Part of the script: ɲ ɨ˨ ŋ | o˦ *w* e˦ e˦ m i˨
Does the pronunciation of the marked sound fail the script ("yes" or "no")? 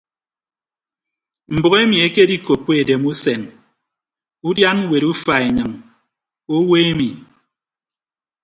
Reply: no